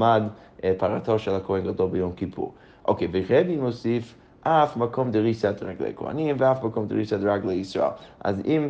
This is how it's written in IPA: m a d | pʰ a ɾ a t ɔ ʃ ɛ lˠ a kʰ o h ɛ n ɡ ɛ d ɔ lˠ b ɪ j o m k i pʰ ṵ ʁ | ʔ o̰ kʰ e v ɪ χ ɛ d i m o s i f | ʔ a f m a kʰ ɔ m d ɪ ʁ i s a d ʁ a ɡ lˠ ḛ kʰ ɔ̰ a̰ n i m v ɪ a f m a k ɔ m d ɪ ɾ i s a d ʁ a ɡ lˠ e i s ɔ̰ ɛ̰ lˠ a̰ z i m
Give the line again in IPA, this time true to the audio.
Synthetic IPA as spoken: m a d | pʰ a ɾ a t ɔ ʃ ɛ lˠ a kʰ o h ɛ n ɡ a d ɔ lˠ b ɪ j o m k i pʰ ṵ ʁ | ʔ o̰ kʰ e v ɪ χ ɛ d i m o s i f | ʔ a f m a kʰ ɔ m d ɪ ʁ i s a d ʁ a ɡ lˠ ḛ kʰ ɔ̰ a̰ n i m v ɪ a f m a k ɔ m d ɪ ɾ i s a d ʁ a ɡ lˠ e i s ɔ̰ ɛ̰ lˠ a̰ z i m